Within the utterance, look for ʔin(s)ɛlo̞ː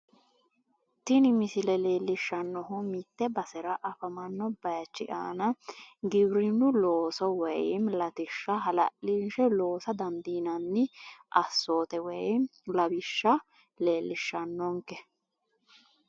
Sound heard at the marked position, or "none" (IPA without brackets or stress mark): ʃ